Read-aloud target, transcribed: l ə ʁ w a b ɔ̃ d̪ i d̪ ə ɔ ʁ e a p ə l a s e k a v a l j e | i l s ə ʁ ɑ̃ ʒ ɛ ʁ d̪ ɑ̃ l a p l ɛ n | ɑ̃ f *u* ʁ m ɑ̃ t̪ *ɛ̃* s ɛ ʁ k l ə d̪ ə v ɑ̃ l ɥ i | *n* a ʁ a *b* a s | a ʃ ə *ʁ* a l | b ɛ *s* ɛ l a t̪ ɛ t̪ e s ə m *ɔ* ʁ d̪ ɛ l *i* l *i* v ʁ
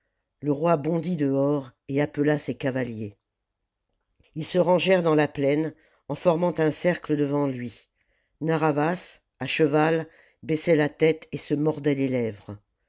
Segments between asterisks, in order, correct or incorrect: incorrect: ɔ, correct, correct, incorrect: v, incorrect: v, correct, correct, incorrect: e, incorrect: ɛ

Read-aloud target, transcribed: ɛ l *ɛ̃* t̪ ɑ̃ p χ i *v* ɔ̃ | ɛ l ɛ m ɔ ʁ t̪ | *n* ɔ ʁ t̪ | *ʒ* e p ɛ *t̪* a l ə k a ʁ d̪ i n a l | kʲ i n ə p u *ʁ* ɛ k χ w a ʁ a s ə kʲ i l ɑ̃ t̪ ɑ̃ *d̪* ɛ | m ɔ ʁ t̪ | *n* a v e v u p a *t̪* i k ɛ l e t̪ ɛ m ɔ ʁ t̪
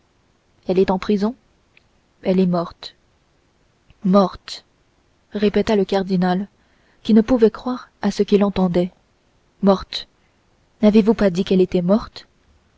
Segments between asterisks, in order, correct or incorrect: incorrect: ɛ, incorrect: z, incorrect: m, incorrect: ʁ, correct, incorrect: v, correct, correct, incorrect: d̪

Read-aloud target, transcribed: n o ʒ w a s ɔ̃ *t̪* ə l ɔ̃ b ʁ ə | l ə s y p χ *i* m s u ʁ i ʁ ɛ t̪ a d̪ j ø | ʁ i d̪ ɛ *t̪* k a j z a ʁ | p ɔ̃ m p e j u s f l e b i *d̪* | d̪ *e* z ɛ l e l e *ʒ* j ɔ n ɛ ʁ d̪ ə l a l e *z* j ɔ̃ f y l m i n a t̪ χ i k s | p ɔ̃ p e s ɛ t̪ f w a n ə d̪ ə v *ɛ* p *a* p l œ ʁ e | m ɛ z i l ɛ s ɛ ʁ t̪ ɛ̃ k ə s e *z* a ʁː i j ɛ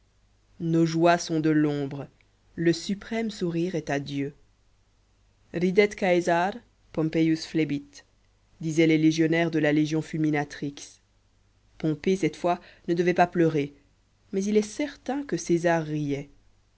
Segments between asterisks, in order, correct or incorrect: incorrect: d̪, incorrect: ɛ, correct, incorrect: t̪, incorrect: i, correct, incorrect: ʒ, correct, correct, correct

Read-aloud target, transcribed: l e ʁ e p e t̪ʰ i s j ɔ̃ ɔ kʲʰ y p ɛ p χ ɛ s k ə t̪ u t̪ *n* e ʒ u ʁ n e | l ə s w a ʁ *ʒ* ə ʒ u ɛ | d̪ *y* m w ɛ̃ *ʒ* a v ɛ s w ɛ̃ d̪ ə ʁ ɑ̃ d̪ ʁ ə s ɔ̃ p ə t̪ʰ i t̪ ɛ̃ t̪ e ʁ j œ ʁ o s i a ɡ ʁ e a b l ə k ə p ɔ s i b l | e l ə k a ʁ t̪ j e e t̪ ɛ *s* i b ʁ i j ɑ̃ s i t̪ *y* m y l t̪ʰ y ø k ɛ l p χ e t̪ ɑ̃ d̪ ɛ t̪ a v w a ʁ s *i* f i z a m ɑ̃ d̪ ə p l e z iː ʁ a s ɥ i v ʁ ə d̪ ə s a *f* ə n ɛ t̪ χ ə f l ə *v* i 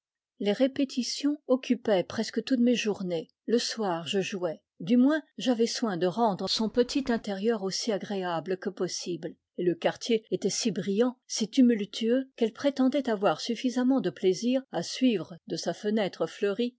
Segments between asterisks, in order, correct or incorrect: incorrect: m, correct, correct, correct, correct, correct, incorrect: y, correct, incorrect: ʁ

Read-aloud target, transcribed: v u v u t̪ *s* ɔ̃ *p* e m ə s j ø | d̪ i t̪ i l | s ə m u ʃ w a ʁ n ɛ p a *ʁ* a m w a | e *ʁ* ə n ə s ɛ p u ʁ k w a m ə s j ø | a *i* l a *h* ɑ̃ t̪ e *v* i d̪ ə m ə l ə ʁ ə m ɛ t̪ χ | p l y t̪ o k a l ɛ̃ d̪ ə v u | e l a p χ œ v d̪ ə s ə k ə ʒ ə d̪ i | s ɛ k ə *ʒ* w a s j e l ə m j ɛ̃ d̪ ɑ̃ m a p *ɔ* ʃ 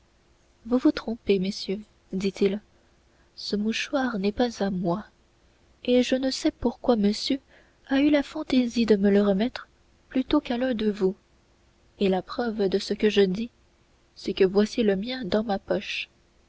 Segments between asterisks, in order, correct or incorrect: incorrect: χ, correct, incorrect: z, incorrect: ʒ, incorrect: y, incorrect: f, incorrect: z, incorrect: v, correct

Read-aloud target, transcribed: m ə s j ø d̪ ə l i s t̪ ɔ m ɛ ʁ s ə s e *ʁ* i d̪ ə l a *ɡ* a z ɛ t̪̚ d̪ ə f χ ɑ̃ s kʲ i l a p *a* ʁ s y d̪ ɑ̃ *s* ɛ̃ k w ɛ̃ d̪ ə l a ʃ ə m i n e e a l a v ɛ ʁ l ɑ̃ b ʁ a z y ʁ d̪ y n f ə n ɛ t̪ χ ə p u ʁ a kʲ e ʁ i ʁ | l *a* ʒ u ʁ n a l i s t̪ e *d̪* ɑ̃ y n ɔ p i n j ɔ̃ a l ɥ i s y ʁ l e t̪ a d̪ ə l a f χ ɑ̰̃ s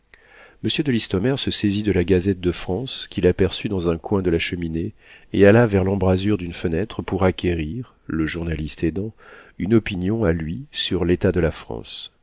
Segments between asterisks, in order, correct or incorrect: incorrect: z, correct, incorrect: ɛ, incorrect: z, incorrect: ə, correct

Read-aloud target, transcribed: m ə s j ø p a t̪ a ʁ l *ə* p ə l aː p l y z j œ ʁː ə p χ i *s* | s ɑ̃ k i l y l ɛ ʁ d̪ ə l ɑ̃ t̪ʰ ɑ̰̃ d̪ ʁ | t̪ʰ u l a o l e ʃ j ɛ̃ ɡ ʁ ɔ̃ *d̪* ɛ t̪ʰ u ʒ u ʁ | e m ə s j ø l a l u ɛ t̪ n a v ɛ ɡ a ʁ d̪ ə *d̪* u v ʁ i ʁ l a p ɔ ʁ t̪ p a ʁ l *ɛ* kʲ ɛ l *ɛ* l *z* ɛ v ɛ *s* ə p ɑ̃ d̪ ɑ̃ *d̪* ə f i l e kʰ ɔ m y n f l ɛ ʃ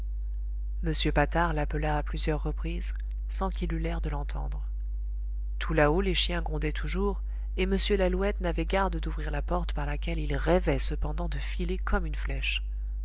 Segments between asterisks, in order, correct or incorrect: incorrect: a, incorrect: z, correct, correct, incorrect: a, incorrect: i, incorrect: ʁ, correct, correct

